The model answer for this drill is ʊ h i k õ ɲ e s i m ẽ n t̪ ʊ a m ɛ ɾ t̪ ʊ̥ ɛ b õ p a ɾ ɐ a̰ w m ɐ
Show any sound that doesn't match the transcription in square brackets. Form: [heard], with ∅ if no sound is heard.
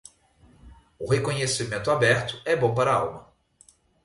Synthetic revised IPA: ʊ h [e] k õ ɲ e s i m ẽ n t̪ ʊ a [b] ɛ ɾ t̪ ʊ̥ ɛ b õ p a ɾ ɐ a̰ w m ɐ

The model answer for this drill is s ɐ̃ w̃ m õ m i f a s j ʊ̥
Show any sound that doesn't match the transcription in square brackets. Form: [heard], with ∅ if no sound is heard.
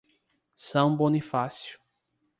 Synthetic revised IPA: s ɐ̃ w̃ [b] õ [n] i f a s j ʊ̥

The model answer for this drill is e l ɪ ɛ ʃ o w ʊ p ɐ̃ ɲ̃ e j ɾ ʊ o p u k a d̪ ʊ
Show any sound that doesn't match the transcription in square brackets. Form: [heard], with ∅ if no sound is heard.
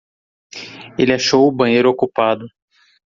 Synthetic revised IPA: e l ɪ [a] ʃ o w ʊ [b] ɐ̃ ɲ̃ e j ɾ ʊ o [k] u [p] a d̪ ʊ

